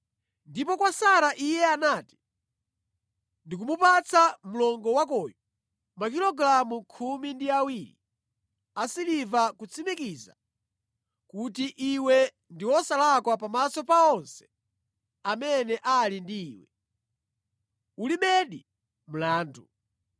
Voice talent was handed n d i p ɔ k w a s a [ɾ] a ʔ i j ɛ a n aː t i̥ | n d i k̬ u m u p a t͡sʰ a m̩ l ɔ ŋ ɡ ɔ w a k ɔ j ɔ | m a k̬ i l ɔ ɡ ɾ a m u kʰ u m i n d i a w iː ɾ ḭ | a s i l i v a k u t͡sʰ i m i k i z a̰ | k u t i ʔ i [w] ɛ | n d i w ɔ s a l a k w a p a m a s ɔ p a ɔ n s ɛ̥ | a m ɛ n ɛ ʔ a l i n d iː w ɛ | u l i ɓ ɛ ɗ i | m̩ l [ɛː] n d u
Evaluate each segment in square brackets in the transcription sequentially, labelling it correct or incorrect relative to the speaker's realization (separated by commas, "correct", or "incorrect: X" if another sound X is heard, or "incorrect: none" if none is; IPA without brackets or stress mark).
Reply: correct, correct, incorrect: aː